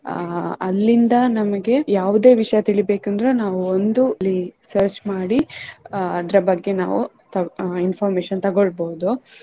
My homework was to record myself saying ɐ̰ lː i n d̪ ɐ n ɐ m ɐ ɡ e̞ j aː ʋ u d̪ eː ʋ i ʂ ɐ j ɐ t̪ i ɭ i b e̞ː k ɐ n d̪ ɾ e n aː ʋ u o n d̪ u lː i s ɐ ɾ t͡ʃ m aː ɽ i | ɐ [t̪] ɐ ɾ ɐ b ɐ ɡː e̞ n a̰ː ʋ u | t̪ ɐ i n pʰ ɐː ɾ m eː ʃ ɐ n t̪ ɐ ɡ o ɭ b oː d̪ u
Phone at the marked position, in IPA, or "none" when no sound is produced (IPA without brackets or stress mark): d̪